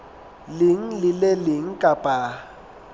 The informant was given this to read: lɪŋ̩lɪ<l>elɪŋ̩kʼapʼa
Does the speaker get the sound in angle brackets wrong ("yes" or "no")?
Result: no